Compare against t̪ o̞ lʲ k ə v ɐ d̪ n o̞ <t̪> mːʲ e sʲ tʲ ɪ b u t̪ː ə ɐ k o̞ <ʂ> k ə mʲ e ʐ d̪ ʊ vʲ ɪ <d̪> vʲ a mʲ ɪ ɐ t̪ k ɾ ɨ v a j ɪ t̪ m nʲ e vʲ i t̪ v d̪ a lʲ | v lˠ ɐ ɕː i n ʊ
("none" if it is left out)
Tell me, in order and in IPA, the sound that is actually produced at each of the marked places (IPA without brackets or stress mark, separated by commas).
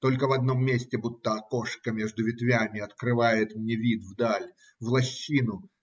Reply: none, ʂ, t̪